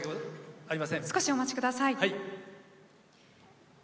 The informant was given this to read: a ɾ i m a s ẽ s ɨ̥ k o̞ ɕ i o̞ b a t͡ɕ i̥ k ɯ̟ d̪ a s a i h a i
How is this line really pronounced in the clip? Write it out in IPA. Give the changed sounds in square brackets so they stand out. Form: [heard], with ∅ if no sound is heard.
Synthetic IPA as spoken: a ɾ i m a s ẽ s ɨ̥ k o̞ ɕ i o̞ [m] a t͡ɕ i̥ k ɯ̟ d̪ a s a i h a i